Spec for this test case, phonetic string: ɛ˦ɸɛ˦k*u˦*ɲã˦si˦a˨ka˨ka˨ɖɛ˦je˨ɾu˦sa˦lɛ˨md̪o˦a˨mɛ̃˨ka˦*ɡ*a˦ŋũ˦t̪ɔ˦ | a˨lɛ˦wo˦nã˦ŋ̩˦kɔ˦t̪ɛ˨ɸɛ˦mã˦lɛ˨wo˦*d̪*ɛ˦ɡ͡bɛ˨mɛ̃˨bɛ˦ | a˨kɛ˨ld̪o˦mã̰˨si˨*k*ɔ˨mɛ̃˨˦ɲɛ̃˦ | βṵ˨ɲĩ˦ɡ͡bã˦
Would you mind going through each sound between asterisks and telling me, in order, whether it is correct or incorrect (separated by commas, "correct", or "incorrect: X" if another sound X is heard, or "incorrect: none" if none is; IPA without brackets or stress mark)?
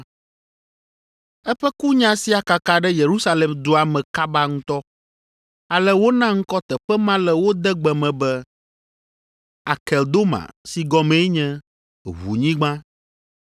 correct, incorrect: b, correct, incorrect: ɡ